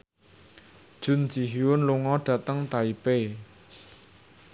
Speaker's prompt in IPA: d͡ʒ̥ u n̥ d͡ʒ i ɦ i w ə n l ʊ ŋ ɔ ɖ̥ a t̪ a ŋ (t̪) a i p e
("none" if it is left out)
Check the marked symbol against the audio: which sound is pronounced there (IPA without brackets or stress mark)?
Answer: t̪